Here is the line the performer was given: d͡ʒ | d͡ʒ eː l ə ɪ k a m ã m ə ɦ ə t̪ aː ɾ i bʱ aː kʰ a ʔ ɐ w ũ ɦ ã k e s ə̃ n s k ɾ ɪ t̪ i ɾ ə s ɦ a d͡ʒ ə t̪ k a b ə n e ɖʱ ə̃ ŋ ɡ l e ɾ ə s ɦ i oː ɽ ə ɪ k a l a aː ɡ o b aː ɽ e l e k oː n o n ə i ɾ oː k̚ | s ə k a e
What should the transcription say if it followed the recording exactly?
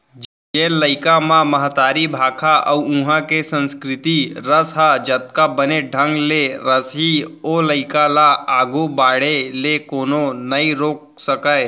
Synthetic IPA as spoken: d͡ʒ | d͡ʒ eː l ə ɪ k a m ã m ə ɦ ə t̪ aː ɾ i bʱ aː kʰ a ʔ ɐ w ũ ɦ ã k e s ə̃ n s k ɾ ɪ t̪ i ɾ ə s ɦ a d͡ʒ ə t̪ k a b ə n e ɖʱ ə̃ ŋ ɡ l e ɾ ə s ɦ i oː l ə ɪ k a l a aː ɡ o b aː ɽ e l e k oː n o n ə i ɾ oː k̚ | s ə k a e